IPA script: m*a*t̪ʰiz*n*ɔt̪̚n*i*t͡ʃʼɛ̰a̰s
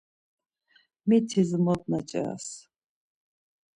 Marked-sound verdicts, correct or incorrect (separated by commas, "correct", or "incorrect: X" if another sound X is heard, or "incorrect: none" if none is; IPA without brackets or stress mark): incorrect: i, incorrect: m, incorrect: a